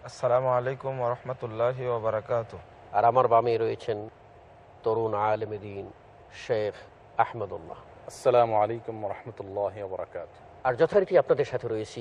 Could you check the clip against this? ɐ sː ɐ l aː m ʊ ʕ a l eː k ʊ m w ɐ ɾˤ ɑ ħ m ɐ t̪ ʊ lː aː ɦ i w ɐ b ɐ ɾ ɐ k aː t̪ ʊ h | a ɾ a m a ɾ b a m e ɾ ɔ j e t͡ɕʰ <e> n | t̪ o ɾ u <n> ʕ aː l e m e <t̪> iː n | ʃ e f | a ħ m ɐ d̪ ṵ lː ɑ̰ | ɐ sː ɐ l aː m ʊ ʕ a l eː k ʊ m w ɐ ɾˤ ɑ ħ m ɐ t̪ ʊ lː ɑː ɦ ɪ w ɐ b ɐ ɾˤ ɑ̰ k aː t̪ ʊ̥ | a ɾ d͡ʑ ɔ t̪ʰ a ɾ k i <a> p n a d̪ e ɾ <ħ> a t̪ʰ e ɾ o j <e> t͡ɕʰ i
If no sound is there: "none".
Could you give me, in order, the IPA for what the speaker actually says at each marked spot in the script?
e, n, d̪, a, ʃ, e

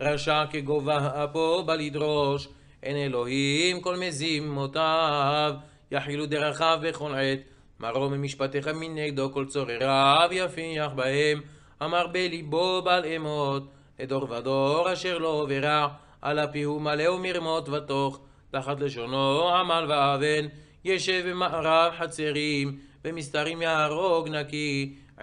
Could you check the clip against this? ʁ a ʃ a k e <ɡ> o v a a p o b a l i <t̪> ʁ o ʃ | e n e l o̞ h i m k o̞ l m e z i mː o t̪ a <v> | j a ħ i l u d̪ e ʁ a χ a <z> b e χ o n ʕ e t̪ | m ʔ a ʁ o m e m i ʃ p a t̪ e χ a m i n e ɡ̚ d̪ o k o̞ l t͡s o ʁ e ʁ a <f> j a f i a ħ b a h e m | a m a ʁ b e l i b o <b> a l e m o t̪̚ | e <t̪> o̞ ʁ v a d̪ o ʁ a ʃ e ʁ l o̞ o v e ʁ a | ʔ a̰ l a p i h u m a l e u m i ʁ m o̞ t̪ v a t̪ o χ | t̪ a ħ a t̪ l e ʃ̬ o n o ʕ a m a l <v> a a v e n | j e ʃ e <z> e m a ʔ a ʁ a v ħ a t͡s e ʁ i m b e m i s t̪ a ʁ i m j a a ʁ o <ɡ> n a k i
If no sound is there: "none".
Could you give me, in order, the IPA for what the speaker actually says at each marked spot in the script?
ɡ, d̪, v, v, v, b, d̪, v, v, ɡ

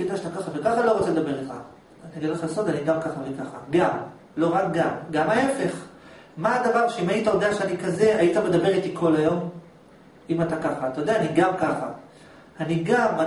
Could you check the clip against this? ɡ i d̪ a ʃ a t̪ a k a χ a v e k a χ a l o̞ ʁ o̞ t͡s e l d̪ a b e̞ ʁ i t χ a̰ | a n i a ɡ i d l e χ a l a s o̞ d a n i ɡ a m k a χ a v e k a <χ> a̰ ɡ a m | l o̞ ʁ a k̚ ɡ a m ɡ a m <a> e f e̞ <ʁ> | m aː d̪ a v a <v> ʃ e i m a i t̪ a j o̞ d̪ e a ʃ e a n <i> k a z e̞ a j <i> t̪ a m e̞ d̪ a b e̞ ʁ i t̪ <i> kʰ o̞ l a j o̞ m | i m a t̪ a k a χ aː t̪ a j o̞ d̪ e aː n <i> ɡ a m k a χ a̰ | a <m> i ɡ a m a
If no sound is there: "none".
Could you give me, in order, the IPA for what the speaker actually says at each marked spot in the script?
χ, a, χ, ʁ, i, i, i, i, n

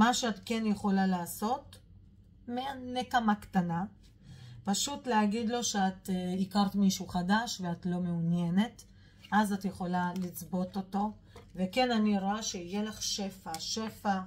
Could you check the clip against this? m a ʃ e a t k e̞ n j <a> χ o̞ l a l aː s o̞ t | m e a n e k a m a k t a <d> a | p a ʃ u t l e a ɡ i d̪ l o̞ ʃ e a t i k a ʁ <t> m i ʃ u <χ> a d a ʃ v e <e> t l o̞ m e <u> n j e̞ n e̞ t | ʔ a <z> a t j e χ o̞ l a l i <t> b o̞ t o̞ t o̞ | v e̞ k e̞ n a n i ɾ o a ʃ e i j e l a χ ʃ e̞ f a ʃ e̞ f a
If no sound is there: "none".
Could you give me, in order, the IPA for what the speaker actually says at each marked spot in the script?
e, n, t, χ, a, u, z, t͡s

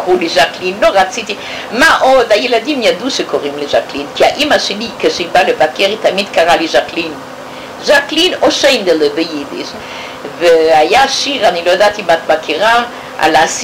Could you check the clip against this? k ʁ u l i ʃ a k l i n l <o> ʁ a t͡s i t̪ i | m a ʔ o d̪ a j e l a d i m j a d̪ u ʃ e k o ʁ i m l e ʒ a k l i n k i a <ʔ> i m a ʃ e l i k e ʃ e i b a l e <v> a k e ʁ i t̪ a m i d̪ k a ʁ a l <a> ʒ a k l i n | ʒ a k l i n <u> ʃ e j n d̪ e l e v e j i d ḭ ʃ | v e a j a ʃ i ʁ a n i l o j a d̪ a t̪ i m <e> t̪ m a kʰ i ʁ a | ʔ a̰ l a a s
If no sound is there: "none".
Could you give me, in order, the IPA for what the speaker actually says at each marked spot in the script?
o, ʔ, v, i, o, a

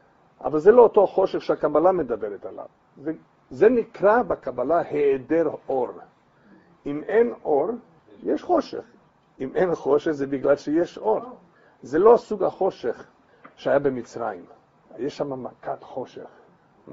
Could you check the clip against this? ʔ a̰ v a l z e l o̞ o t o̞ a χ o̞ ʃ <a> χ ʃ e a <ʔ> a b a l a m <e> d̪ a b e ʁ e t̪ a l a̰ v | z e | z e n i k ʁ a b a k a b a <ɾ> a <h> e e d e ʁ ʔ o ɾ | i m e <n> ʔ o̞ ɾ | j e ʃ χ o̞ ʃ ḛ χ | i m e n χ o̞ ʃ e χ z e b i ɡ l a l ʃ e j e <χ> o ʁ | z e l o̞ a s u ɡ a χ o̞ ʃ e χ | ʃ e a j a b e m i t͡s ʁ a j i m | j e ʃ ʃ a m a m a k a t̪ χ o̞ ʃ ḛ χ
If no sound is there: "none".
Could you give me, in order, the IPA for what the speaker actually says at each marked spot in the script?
e, k, e, l, h, n, ʃ

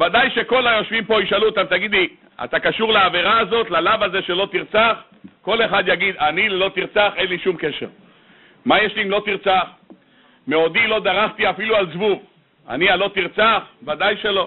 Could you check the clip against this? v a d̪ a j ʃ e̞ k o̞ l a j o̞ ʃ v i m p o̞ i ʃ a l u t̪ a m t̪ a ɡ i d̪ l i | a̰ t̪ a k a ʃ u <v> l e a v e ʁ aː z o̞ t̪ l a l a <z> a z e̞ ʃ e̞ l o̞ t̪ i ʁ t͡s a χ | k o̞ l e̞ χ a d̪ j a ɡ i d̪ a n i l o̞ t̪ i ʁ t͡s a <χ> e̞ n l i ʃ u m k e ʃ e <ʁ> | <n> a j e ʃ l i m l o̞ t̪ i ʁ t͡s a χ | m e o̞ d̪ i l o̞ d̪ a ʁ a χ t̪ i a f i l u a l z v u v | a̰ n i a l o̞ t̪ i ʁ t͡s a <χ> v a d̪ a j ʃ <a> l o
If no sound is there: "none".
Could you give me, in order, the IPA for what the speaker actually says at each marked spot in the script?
ʁ, v, χ, ʁ, m, χ, e

